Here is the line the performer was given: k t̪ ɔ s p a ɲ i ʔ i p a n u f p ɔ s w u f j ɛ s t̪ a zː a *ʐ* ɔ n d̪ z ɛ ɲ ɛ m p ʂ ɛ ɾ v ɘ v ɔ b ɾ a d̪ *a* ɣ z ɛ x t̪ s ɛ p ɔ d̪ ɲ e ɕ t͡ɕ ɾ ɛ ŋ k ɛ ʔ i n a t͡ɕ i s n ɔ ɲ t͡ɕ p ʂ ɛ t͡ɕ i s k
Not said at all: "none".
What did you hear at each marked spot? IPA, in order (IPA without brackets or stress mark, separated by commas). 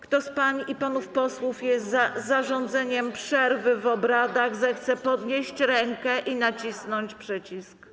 ʐ, a